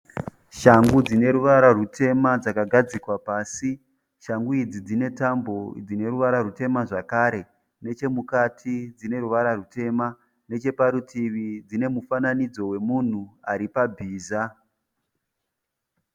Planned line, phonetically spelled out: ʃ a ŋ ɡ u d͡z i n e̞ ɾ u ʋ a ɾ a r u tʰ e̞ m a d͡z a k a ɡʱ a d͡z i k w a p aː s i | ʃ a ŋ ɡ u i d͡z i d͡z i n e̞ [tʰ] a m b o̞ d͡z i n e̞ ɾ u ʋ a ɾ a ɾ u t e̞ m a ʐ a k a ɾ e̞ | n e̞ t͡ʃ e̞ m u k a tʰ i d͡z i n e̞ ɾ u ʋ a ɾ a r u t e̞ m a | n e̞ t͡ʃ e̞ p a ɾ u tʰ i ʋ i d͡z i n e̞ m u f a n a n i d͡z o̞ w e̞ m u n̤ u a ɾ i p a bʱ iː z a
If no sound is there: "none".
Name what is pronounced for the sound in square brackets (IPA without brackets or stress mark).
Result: t